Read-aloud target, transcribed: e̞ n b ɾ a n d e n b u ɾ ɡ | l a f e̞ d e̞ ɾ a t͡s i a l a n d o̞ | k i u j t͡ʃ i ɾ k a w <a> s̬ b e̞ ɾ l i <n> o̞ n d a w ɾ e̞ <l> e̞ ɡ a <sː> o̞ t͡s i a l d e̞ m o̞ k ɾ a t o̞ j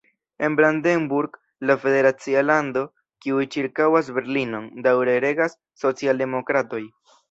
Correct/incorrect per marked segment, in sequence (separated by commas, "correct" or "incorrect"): correct, correct, incorrect, correct